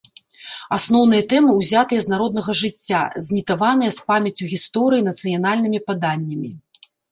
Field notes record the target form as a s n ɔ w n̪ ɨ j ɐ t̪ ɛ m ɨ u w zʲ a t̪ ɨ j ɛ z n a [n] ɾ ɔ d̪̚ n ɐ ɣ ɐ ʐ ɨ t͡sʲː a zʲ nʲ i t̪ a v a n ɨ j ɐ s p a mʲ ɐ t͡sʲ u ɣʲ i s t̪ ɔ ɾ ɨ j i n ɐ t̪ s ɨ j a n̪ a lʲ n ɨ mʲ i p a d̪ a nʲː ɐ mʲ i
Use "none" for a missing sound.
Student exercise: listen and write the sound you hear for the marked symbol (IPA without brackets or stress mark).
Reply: none